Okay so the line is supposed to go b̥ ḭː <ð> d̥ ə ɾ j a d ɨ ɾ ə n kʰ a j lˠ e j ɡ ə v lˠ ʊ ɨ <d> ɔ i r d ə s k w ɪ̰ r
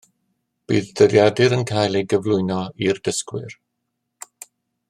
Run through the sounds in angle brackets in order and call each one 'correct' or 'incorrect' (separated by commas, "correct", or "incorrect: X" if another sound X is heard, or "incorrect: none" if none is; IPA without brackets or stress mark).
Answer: correct, incorrect: n